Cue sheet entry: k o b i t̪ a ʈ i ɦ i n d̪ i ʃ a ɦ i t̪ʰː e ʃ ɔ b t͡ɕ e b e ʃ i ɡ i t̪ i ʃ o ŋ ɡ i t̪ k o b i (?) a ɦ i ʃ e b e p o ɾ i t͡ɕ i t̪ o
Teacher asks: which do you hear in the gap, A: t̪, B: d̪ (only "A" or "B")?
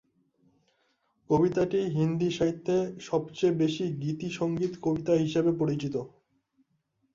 A